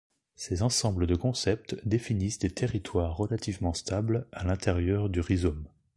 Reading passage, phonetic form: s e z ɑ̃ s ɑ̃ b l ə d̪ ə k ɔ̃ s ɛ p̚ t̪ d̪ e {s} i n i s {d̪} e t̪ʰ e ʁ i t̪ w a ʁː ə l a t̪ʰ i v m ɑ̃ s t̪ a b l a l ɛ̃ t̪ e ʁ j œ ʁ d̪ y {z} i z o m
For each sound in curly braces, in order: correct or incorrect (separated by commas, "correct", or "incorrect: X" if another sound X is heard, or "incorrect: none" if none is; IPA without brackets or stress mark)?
incorrect: f, correct, incorrect: ʁ